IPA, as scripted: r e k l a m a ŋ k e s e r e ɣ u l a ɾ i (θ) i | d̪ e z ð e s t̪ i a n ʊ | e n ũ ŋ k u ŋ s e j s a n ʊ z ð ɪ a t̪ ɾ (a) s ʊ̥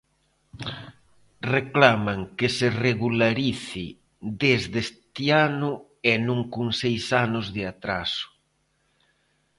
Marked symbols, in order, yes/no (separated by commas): yes, yes